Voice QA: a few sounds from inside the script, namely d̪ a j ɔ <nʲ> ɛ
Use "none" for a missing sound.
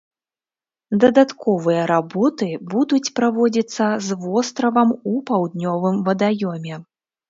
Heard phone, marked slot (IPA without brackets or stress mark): mʲ